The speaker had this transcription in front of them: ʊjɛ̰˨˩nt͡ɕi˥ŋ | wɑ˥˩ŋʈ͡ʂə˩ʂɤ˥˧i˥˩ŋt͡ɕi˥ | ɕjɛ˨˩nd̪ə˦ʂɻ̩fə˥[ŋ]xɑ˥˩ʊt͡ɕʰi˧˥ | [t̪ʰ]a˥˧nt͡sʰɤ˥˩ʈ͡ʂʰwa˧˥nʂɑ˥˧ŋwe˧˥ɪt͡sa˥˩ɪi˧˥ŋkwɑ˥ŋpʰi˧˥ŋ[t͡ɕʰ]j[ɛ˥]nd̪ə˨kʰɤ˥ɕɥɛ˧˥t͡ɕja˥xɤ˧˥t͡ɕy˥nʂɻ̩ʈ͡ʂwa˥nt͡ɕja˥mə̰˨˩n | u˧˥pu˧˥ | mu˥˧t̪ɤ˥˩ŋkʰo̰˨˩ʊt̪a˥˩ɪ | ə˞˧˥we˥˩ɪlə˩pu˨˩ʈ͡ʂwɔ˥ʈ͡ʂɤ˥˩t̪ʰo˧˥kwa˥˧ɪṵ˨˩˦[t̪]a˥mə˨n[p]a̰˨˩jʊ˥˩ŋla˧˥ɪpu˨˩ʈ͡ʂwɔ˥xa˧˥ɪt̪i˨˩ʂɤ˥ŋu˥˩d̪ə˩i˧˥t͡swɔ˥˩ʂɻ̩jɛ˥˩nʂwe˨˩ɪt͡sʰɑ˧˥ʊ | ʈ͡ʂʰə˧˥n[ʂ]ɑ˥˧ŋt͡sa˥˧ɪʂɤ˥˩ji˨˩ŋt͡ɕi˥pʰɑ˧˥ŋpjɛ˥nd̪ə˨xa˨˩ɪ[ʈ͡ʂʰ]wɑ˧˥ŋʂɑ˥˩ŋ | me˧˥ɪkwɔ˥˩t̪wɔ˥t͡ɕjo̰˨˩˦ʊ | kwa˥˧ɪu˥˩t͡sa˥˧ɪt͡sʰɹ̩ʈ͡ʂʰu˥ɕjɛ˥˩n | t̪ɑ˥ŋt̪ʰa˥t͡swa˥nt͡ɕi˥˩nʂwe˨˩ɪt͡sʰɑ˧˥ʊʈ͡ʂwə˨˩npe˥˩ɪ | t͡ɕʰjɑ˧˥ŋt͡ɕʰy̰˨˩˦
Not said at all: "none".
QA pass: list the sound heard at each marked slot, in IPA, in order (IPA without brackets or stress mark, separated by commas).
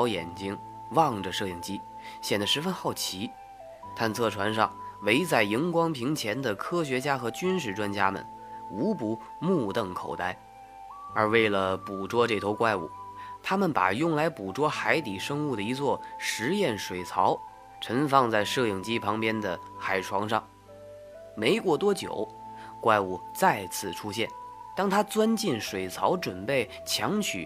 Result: n, t̪ʰ, t͡ɕʰ, ɛ˧˥, t̪ʰ, p, f, ʈ͡ʂʰ